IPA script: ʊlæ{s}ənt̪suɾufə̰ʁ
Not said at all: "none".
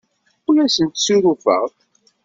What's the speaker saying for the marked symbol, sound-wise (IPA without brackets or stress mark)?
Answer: s